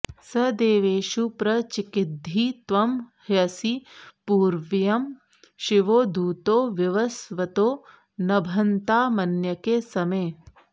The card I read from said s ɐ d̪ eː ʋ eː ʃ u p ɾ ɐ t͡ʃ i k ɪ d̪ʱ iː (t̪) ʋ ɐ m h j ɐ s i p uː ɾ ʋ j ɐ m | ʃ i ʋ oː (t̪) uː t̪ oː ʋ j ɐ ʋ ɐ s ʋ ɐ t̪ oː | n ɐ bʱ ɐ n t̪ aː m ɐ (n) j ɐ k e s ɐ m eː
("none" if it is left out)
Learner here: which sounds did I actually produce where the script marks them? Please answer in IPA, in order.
t̪, d̪, n

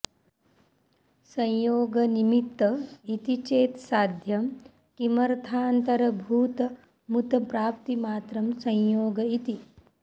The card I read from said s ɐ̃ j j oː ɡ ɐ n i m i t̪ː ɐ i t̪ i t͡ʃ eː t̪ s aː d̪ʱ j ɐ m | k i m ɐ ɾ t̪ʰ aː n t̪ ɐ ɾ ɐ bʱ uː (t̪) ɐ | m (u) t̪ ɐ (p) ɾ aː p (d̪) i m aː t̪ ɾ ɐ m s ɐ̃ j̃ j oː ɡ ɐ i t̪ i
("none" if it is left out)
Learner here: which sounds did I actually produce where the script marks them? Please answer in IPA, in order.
t̪, u, p, t̪

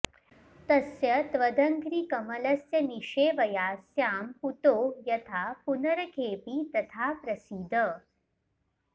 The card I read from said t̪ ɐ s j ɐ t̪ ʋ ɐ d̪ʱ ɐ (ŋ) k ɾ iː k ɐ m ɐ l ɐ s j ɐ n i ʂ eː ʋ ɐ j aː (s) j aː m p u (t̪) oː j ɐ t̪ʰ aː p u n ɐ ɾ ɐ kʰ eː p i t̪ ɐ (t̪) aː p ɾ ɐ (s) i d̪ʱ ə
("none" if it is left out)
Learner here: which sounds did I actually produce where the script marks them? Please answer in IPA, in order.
ŋ, s, t̪, t̪ʰ, s

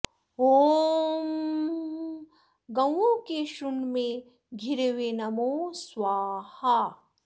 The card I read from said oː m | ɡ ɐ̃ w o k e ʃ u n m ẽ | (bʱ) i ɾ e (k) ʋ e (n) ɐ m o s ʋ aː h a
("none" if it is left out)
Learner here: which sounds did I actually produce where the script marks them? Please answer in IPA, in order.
ɡʱ, none, n

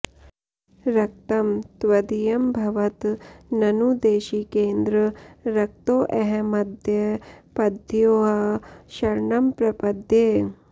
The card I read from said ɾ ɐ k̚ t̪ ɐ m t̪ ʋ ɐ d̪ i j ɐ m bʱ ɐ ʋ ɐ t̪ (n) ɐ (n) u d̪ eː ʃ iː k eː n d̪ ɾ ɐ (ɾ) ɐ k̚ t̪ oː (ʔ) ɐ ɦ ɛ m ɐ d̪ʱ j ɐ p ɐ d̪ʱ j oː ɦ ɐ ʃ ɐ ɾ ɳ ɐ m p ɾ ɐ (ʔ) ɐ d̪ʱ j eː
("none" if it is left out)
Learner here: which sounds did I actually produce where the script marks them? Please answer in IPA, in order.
n, n, ɾ, ʔ, p

